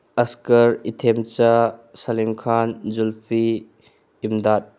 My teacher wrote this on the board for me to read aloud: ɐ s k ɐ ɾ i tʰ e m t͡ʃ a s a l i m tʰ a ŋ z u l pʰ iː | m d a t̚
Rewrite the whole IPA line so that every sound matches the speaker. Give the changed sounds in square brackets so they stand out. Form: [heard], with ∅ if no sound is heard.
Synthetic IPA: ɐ s k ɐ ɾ i tʰ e m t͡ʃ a s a l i m [kʰ] a [n] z u l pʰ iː | m d a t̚